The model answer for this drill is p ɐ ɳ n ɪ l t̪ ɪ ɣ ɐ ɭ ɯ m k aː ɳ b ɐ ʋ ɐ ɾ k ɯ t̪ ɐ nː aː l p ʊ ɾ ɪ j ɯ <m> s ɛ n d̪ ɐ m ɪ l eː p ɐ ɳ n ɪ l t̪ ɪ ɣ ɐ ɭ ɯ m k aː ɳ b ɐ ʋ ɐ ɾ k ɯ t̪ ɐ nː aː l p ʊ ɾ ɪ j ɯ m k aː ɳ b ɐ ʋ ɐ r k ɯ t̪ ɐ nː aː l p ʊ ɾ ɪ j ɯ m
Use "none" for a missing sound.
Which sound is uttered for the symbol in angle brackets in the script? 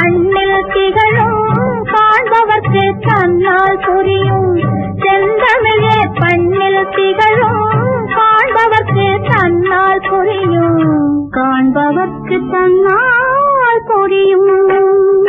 m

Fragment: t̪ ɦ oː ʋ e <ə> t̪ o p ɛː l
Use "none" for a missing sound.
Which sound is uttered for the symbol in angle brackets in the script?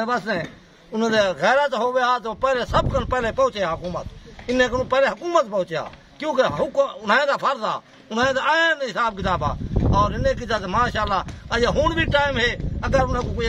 a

